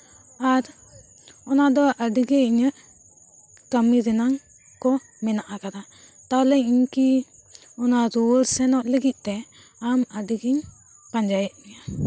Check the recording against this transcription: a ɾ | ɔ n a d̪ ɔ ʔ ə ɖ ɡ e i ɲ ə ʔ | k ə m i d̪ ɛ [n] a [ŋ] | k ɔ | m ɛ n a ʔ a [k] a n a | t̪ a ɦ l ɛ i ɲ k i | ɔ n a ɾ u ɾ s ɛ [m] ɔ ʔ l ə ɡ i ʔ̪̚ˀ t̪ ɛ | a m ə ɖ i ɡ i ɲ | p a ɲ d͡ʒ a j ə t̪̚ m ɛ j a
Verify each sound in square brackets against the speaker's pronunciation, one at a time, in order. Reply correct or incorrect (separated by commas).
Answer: correct, correct, correct, incorrect